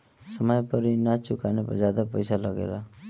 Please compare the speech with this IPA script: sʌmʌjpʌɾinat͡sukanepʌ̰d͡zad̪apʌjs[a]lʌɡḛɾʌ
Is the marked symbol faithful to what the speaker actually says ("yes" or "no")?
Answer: yes